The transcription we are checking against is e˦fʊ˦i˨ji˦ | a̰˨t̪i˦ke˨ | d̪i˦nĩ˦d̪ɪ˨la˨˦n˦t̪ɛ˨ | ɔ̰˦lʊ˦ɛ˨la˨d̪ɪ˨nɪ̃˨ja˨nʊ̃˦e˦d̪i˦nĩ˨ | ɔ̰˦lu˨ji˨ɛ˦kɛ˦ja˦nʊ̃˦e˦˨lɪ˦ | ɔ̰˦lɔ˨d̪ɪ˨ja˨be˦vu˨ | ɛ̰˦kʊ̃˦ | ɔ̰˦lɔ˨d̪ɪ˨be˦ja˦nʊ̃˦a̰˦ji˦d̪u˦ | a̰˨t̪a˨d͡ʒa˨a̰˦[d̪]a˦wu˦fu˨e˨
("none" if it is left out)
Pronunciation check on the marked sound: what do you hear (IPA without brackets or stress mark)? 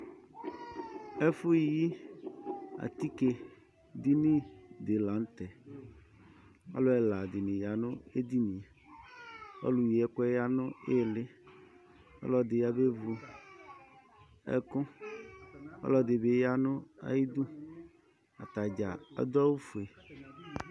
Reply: d̪